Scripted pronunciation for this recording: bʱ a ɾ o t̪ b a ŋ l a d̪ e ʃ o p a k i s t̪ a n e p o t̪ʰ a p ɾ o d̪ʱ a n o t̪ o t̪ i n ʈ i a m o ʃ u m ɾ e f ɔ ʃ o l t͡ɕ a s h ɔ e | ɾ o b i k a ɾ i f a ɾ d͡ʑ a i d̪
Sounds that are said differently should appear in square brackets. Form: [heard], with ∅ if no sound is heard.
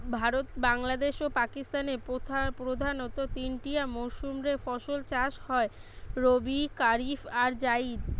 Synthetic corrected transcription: bʱ a ɾ o t̪ b a ŋ l a d̪ e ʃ o p a k i s t̪ a n e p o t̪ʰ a p ɾ o d̪ʱ a n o t̪ o t̪ i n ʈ i a m o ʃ u m ɾ e f ɔ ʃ o l t͡ɕ a [ʃ] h ɔ e | ɾ o b i k a ɾ i f a ɾ d͡ʑ a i d̪